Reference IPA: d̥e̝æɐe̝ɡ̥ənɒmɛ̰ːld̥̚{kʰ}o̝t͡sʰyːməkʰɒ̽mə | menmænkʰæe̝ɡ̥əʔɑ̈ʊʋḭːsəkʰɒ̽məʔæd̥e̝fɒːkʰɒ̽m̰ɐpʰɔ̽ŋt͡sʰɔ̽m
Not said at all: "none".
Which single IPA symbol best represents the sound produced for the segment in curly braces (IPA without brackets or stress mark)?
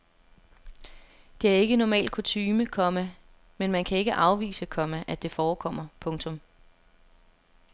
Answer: kʰ